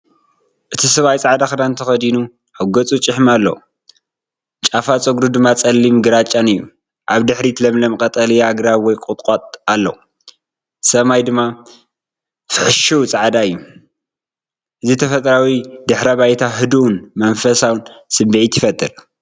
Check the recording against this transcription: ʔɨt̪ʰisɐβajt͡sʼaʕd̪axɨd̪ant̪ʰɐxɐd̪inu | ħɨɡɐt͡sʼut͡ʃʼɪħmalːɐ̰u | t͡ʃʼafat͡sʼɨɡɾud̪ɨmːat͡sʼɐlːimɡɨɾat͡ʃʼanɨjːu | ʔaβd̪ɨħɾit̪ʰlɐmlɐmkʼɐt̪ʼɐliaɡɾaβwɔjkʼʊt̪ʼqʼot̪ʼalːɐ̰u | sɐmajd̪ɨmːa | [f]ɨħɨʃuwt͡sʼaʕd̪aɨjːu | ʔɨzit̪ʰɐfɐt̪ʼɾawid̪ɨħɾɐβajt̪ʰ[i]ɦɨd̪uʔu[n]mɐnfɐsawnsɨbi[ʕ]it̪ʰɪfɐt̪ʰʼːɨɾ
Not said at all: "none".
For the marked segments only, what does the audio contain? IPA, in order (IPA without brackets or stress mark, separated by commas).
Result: f, a, n, ʕ